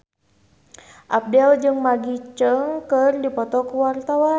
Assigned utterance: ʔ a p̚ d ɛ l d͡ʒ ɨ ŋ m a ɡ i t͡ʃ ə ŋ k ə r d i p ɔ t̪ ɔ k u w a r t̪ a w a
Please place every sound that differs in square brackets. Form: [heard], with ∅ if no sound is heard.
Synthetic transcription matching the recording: ʔ a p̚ d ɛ l d͡ʒ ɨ ŋ m a ɡ i t͡ʃ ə ŋ k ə r d i p ɔ t̪ ɔ k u w a r t̪ a w a